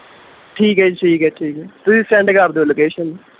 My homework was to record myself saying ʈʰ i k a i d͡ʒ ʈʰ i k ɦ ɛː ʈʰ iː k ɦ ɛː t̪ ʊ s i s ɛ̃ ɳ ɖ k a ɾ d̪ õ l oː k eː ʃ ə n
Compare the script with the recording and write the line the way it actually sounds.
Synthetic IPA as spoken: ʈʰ iː k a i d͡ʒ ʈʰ iː k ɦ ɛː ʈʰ iː k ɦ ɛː t̪ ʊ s i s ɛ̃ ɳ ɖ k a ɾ d̪ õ l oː k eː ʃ ə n